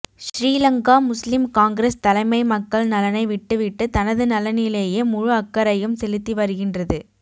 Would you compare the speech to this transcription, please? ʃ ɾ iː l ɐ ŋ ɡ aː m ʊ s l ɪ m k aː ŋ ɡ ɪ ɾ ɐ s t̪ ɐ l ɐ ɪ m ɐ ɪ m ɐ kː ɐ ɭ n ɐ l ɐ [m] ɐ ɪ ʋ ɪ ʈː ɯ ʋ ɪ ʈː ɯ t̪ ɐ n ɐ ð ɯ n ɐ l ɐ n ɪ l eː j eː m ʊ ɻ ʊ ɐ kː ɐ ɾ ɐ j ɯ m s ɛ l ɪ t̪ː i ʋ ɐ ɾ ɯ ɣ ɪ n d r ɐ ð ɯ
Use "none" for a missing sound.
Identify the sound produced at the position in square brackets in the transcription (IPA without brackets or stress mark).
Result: n